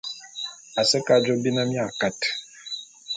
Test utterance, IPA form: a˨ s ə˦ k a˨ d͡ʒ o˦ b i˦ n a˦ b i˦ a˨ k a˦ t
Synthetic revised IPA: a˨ s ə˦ k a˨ d͡ʒ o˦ b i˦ n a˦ m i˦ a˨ k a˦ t